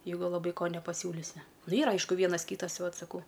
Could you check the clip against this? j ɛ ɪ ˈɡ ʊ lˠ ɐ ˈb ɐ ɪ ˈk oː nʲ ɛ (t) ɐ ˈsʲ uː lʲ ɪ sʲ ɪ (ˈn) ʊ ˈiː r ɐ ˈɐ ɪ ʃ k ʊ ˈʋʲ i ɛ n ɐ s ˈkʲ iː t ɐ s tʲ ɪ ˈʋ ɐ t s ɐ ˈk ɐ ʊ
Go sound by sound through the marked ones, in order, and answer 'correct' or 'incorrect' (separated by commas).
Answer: incorrect, correct